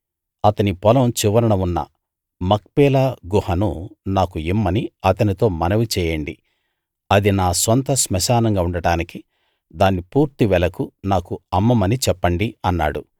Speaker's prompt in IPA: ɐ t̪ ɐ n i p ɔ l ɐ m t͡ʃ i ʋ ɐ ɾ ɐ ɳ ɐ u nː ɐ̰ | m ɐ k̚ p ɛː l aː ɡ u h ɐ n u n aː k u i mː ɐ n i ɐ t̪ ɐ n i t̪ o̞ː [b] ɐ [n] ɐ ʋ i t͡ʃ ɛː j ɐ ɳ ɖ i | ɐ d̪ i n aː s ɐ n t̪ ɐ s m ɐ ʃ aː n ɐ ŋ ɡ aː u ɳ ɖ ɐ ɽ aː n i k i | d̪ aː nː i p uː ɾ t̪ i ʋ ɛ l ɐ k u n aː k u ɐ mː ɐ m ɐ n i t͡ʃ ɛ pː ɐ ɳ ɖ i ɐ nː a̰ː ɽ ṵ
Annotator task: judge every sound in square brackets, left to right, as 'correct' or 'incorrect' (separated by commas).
incorrect, correct